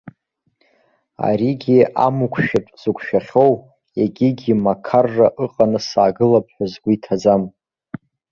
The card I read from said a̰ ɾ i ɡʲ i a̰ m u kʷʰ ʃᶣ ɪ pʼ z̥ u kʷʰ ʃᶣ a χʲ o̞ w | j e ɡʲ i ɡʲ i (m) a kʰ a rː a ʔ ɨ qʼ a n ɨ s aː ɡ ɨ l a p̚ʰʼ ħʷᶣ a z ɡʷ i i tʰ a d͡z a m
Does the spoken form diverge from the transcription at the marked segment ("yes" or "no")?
no